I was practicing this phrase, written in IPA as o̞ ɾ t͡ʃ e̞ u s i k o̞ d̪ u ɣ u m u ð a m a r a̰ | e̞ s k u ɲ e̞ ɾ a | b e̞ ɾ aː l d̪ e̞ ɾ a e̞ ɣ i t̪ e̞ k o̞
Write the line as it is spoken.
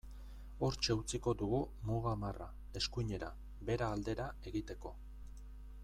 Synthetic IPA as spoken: o̞ ɾ t͡ʃ e̞ u t͡s i k o̞ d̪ u ɣ u m u ɣ a m a r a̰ | e̞ s k u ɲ e̞ ɾ a | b e̞ ɾ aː l d̪ e̞ ɾ a e̞ ɣ i t̪ e̞ k o̞